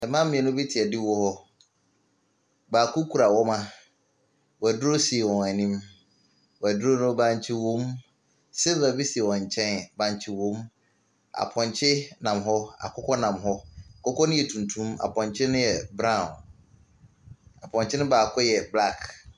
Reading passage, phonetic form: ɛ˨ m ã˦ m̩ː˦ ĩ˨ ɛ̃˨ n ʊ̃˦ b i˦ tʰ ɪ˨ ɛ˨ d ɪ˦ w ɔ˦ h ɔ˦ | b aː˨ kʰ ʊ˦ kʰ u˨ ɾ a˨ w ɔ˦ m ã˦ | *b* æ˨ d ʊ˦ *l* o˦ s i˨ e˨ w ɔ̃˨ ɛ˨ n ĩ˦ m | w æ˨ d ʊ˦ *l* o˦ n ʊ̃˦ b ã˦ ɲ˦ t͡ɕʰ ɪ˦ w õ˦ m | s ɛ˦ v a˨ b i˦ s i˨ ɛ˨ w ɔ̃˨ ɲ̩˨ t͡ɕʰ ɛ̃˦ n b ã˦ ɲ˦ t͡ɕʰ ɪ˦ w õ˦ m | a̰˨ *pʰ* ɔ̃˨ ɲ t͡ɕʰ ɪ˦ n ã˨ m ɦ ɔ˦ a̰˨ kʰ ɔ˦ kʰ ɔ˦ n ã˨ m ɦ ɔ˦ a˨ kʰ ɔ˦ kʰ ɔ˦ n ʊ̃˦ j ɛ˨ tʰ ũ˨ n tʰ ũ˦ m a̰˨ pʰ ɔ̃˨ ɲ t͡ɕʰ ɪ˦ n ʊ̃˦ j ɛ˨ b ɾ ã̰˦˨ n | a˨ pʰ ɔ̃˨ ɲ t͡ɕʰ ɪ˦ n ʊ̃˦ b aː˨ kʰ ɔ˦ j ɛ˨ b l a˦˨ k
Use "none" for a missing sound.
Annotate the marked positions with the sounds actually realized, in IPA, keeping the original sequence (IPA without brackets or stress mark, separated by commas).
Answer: w, ɾ, ɾ, pʰ